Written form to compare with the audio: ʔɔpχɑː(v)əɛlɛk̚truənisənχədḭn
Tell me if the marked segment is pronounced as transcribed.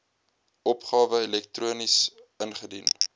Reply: yes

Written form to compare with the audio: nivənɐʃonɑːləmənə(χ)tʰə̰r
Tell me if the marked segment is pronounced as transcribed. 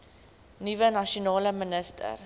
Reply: no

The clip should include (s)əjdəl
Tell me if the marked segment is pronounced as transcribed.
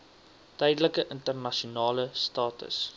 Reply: no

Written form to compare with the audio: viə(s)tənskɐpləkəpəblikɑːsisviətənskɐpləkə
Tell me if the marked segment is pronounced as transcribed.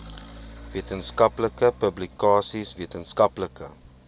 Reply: no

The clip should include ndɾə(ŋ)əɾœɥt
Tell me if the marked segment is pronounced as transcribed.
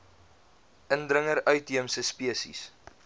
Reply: yes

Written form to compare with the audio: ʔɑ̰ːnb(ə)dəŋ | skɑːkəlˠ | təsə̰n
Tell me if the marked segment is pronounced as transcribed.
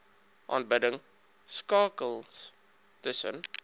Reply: yes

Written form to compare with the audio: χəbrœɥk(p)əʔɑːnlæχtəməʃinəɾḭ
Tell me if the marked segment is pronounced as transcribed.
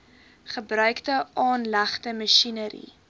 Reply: no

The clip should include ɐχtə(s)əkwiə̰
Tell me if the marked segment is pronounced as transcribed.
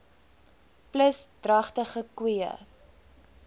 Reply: no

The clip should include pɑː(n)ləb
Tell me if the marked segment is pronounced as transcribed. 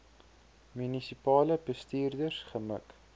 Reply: no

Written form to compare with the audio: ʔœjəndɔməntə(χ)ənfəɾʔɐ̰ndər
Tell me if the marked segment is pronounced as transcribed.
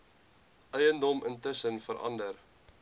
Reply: no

